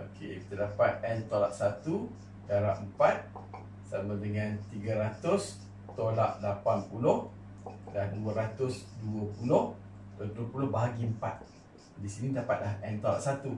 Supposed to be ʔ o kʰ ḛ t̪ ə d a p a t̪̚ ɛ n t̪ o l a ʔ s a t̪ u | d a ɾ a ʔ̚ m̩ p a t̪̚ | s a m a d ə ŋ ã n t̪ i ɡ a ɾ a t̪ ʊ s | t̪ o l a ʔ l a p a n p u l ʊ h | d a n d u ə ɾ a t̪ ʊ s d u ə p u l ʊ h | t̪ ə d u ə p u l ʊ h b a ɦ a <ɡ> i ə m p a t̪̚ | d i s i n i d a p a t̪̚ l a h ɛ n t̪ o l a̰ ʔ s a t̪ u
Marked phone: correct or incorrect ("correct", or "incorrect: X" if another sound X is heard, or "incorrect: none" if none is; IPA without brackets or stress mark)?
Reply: correct